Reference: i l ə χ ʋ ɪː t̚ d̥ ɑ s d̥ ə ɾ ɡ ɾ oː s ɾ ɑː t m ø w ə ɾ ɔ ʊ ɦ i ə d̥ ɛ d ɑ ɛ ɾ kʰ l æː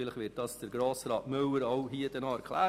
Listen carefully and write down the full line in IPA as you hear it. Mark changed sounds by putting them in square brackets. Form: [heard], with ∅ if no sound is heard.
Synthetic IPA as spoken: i l ə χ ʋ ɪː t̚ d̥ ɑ s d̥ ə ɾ ɡ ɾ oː s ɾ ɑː t m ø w ə ɾ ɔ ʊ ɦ i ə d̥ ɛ [n] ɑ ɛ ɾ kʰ l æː